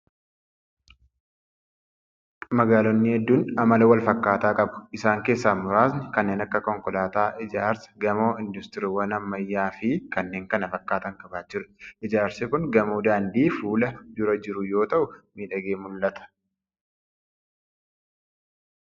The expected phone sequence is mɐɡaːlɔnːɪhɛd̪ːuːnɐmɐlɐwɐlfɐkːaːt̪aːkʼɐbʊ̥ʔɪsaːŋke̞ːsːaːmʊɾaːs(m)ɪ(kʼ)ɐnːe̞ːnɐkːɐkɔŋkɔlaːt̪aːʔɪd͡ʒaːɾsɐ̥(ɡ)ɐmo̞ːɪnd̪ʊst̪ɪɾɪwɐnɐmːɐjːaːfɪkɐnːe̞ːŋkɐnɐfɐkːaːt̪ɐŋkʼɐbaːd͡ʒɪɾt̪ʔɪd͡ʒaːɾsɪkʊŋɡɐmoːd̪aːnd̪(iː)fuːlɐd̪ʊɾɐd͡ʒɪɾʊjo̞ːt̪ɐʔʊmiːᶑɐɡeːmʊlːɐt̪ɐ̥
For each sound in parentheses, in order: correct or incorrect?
incorrect, incorrect, correct, correct

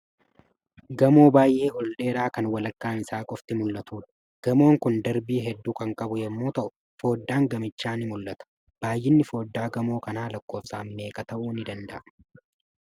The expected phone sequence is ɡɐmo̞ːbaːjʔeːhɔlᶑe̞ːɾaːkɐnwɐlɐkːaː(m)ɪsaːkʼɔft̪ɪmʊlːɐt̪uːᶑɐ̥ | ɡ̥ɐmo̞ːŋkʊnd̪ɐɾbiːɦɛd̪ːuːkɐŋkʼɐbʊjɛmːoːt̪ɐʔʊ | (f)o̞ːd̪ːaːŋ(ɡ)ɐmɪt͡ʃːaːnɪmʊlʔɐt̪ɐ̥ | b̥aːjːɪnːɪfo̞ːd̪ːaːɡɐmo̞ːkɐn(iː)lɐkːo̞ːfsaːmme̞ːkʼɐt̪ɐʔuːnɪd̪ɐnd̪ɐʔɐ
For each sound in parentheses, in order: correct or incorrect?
incorrect, correct, correct, incorrect

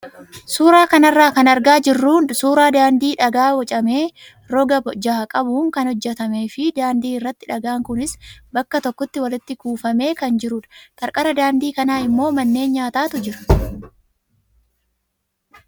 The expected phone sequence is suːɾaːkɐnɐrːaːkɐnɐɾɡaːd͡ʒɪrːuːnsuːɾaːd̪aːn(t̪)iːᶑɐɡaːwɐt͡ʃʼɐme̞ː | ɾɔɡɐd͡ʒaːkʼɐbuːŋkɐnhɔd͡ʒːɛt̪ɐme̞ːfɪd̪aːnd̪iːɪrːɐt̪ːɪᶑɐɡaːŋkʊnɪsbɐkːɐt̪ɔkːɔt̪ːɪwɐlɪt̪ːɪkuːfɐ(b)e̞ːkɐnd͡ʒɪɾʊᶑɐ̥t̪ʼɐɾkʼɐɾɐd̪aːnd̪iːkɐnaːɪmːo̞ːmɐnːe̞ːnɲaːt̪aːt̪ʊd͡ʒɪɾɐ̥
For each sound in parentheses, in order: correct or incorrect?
incorrect, incorrect

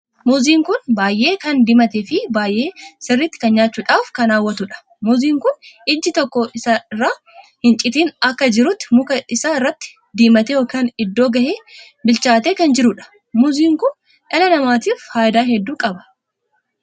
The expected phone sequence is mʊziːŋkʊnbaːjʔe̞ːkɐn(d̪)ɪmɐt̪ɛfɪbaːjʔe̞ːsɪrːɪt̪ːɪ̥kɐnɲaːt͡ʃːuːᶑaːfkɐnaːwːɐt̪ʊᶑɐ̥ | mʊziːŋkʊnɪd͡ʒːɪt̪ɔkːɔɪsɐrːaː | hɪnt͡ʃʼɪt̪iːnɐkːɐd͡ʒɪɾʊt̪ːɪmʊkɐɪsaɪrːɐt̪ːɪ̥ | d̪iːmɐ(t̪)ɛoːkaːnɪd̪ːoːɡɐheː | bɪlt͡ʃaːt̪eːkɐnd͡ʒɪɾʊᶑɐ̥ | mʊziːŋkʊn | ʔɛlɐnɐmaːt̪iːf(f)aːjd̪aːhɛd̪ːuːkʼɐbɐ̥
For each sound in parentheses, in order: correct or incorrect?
correct, correct, incorrect

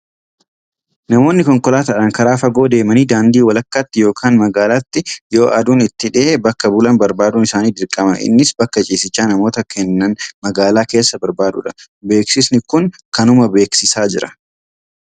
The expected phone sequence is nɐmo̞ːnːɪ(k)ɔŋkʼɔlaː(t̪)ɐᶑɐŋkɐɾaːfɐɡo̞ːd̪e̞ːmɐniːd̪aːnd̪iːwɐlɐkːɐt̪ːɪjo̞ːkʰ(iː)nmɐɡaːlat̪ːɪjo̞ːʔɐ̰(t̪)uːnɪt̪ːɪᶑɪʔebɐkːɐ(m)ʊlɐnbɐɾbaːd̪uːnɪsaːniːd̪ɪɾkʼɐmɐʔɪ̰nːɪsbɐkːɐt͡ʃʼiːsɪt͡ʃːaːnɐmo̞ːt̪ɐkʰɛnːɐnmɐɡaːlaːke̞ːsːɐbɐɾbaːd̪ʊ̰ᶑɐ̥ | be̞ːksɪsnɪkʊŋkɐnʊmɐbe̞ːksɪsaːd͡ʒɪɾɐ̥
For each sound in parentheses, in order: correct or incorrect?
correct, correct, incorrect, incorrect, incorrect

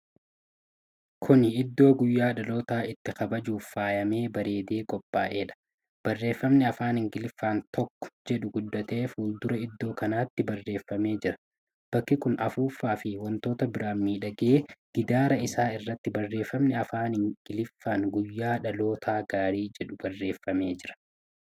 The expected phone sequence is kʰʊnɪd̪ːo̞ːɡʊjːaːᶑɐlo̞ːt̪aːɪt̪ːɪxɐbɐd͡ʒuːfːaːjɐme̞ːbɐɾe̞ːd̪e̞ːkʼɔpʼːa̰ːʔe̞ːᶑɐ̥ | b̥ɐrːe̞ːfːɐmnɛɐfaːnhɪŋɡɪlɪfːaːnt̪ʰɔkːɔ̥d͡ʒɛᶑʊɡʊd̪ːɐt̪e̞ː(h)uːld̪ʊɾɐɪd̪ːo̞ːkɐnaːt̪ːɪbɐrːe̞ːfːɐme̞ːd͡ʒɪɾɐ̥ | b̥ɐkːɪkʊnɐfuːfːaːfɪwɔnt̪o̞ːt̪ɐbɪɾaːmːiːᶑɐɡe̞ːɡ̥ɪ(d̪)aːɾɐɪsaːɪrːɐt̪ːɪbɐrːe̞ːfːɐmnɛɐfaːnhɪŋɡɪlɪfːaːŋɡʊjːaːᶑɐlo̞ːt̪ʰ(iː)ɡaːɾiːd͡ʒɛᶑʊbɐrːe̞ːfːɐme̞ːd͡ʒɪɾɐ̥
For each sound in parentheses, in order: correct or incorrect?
incorrect, correct, incorrect

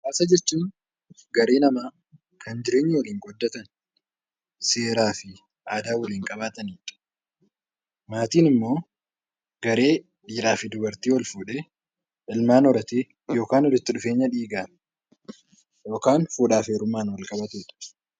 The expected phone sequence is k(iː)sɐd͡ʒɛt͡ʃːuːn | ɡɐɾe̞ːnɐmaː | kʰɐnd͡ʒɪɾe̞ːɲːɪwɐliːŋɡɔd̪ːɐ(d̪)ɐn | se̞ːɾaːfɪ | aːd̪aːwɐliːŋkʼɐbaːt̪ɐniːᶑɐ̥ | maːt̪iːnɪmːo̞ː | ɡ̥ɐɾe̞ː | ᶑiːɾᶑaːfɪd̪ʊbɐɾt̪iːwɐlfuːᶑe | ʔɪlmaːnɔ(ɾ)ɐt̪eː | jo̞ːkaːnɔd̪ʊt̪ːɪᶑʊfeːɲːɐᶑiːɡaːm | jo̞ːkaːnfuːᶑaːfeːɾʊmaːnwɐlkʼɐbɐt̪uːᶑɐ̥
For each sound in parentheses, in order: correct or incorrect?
incorrect, incorrect, correct

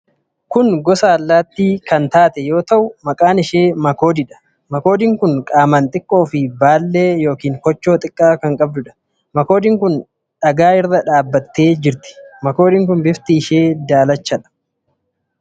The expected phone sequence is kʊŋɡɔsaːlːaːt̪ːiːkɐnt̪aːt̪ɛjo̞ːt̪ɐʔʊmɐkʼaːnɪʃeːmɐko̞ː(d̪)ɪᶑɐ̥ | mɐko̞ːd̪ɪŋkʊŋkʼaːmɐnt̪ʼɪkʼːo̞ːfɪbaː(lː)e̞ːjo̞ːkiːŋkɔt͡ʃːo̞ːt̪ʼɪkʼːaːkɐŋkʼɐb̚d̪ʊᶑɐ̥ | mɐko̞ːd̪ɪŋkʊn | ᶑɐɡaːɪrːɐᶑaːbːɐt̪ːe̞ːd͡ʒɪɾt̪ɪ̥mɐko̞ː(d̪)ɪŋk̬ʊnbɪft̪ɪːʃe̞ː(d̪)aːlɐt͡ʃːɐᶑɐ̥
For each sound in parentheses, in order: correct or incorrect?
correct, correct, correct, correct

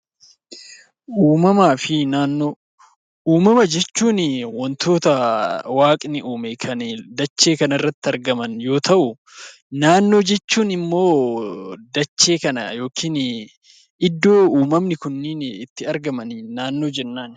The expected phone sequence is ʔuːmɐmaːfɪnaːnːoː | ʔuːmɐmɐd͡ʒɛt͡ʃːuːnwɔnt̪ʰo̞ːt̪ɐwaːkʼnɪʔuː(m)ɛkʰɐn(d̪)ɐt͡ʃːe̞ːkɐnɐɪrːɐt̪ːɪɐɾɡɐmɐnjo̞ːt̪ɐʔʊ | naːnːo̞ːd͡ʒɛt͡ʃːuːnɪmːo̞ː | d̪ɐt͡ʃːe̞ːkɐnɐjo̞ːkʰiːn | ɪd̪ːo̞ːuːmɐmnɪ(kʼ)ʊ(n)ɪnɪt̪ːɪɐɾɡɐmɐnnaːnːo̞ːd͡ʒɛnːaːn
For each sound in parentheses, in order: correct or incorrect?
correct, correct, incorrect, incorrect

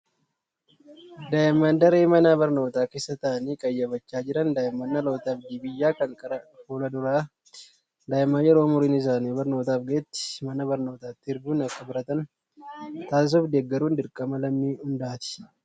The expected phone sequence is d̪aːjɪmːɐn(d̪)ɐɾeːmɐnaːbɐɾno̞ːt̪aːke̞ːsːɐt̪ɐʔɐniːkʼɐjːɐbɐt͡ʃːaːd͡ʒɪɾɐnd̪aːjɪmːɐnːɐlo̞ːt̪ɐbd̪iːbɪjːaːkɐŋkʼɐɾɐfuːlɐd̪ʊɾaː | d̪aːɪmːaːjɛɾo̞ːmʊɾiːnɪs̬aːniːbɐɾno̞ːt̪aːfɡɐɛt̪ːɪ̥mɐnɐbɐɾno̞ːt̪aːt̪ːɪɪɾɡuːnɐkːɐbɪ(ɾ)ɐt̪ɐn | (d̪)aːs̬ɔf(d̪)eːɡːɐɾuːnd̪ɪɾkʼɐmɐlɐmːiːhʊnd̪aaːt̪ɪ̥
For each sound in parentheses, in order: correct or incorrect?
correct, correct, incorrect, correct

